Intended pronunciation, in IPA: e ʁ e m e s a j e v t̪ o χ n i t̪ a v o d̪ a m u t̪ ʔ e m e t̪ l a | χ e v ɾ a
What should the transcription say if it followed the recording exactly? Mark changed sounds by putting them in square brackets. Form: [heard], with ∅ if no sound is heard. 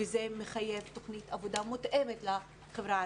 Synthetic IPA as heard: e [z] e m e [χ] a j e v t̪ o χ n i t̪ a v o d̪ a m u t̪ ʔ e m e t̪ l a | χ e v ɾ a